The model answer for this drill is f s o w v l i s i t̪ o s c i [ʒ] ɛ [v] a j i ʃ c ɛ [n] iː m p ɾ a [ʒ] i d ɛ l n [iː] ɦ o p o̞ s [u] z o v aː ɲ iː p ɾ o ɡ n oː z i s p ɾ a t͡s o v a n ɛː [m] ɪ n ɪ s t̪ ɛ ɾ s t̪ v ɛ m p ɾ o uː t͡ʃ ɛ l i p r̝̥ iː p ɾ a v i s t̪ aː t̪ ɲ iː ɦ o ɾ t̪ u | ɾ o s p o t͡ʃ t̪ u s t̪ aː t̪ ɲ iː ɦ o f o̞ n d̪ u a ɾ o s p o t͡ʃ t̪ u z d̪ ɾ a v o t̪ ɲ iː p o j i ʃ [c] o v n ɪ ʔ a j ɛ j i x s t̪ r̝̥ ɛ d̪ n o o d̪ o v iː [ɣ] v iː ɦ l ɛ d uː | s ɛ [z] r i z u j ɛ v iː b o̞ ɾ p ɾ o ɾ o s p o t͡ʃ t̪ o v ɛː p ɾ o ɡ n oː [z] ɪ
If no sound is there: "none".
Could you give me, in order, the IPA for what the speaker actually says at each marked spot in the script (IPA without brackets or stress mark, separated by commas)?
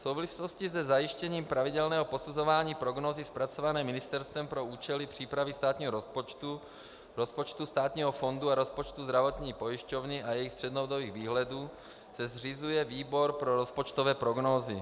z, z, ɲ, v, ɛː, u, m, c, ɣ, z, z